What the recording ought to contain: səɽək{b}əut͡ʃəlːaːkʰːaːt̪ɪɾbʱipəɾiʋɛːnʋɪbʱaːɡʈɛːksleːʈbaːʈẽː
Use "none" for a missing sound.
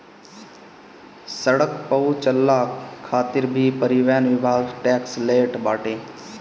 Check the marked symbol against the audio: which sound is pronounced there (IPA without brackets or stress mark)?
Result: p